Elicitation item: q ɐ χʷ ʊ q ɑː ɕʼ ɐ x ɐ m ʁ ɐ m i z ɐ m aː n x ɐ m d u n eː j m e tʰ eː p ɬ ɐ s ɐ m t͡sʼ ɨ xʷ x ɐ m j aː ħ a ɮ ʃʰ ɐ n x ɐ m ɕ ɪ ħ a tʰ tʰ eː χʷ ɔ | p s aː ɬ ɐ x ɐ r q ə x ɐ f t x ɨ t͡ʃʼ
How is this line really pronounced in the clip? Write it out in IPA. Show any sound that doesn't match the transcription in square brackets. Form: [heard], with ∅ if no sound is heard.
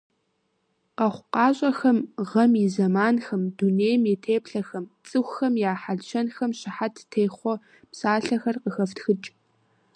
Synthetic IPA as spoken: q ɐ χʷ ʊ q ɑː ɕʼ ɐ x ɐ m ʁ ɐ m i z ɐ m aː n x ɐ m d u n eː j m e tʰ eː p ɬ ɐ [x] ɐ m t͡sʼ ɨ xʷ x ɐ m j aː ħ a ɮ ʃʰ ɐ n x ɐ m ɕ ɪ ħ a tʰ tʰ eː χʷ ɔ | p s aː ɬ ɐ x ɐ r q ə x ɐ f t x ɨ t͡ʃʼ